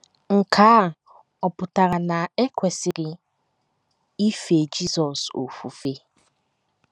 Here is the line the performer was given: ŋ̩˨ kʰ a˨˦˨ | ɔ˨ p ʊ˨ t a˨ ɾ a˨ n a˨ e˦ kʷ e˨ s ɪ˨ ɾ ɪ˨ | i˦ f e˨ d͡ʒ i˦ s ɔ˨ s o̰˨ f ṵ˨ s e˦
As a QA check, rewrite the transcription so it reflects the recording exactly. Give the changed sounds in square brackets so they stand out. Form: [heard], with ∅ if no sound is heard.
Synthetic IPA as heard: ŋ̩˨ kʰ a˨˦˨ | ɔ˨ p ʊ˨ t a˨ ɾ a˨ n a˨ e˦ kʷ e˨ s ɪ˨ ɾ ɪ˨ | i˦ f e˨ d͡ʒ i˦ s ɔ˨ s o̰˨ f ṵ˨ [f] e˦